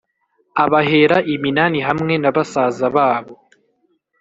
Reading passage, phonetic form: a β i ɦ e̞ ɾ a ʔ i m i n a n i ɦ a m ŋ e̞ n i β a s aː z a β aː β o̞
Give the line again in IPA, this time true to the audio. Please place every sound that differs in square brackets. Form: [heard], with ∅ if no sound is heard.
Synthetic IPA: a β [a] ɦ e̞ ɾ a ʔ i m i n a n i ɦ a m ŋ e̞ n [a] β a s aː z a β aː β o̞